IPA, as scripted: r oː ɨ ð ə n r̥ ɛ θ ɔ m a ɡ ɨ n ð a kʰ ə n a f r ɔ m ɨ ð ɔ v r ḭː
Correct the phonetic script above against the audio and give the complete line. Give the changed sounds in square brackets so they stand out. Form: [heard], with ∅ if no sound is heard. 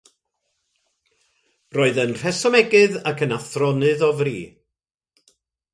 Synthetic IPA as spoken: r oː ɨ ð ə n r̥ ɛ [s] ɔ m [ɛ] ɡ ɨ [∅] ð a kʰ ə n a [θ] r ɔ [n] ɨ ð ɔ v r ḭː